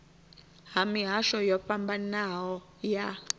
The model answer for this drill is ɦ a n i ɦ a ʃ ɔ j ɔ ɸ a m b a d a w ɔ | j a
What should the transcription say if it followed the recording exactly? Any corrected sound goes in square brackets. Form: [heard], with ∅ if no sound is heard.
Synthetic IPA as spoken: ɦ a [m] i ɦ a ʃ ɔ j ɔ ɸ a m b a [n] a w ɔ | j a